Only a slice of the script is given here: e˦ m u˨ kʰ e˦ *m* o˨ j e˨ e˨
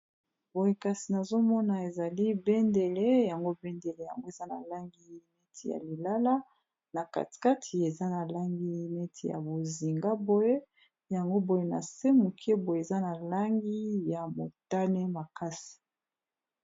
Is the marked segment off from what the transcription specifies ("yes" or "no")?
yes